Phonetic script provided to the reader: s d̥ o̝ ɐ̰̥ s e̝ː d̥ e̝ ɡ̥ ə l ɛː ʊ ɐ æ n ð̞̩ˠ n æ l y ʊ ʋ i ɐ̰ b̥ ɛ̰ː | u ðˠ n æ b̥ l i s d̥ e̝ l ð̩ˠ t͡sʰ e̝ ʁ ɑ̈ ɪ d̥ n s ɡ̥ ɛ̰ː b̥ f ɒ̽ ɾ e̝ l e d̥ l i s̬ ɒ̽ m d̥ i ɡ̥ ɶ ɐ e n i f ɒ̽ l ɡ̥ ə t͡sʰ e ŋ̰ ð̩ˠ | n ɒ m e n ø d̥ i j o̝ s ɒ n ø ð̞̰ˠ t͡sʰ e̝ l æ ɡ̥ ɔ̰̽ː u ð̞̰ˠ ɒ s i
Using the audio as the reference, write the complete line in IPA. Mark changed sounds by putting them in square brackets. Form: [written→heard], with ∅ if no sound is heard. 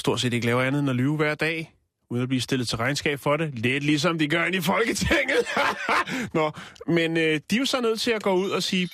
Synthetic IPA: s d̥ o̝ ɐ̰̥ s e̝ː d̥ e̝ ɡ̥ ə l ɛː ʊ ɐ æ n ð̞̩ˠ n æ l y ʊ ʋ [i→æ] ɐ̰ [b̥→d̥] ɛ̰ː | u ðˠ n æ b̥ l i s d̥ e̝ l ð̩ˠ t͡sʰ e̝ ʁ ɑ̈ ɪ [d̥→∅] n s ɡ̥ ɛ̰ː b̥ f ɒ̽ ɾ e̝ l e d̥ l i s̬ ɒ̽ m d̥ i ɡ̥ ɶ ɐ e n i f ɒ̽ l ɡ̥ ə t͡sʰ e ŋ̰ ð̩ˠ | n ɒ m e n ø d̥ i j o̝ s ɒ n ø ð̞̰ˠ t͡sʰ e̝ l æ ɡ̥ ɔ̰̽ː u ð̞̰ˠ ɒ s [i→iː]